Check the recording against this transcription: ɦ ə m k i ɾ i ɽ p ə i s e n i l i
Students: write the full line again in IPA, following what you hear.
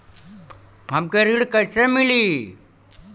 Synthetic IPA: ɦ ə m k e ɾ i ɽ k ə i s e m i l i

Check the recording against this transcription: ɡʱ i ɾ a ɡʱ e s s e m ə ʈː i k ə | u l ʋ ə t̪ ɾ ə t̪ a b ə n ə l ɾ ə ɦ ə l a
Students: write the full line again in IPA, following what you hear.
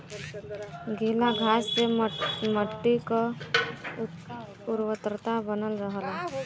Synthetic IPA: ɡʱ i l a ɡʱ a s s e m ə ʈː i k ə | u ɾ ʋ ə t̪ ɾ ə t̪ a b ə n ə l ɾ ə ɦ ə l a

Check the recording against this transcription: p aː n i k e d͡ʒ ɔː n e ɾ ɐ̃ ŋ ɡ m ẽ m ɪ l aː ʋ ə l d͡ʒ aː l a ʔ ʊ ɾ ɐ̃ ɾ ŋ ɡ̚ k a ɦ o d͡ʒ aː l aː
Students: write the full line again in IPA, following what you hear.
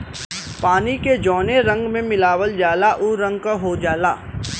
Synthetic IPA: p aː n i k e d͡ʒ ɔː n e ɾ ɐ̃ ŋ ɡ m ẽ m ɪ l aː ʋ ə l d͡ʒ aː l a ʔ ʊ ɾ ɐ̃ ŋ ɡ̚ k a ɦ o d͡ʒ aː l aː

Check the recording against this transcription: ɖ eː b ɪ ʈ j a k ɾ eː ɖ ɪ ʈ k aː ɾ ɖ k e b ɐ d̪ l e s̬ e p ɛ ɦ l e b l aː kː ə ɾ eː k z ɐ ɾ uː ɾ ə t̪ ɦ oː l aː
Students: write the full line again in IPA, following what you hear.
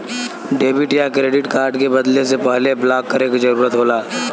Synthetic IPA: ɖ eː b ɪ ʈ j a k ɾ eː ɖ ɪ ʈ k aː ɾ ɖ k e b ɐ d̪ l e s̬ e p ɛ ɦ l e b l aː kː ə ɾ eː k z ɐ ɾ uː ɾ ə t̪ ɦ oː l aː

